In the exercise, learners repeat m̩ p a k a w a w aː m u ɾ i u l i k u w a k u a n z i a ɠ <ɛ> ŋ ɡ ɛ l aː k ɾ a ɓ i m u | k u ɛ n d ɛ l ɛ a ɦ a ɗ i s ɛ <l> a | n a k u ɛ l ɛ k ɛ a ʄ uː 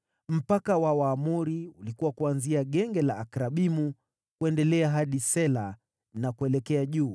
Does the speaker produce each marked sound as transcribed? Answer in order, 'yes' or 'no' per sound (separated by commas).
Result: yes, yes